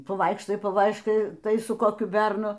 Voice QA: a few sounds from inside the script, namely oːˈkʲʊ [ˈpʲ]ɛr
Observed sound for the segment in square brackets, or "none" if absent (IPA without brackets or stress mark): bʲ